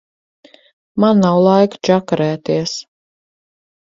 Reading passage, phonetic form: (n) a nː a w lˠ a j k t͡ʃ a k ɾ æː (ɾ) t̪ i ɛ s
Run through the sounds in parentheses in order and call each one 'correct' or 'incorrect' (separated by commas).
incorrect, incorrect